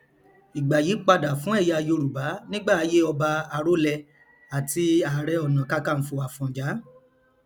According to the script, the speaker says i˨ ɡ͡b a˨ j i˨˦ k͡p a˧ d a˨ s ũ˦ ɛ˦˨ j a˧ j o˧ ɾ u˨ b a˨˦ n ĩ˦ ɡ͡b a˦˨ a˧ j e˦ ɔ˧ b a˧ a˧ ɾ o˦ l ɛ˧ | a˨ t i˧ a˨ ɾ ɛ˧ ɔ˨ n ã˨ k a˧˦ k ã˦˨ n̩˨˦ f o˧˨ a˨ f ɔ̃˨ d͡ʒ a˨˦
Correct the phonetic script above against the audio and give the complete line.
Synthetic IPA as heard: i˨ ɡ͡b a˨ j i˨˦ k͡p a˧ d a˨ f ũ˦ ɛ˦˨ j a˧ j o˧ ɾ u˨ b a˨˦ n ĩ˦ ɡ͡b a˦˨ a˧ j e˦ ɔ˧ b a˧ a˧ ɾ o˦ l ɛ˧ | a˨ t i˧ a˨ ɾ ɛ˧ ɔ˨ n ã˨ k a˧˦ k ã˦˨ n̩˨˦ f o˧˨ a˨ f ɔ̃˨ d͡ʒ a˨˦